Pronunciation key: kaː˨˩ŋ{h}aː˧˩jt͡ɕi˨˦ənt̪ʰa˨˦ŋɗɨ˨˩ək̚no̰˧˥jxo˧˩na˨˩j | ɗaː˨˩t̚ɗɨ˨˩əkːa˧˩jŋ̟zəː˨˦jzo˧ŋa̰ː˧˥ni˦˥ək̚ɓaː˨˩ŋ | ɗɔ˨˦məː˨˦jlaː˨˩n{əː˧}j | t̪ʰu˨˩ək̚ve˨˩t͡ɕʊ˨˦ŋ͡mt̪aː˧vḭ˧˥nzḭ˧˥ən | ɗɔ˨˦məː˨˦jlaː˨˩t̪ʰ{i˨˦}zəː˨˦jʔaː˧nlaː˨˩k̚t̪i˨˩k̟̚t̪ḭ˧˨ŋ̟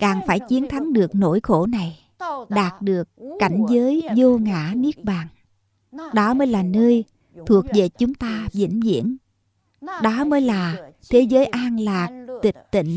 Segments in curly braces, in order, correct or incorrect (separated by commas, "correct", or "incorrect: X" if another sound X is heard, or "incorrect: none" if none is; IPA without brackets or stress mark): incorrect: f, correct, incorrect: e˨˦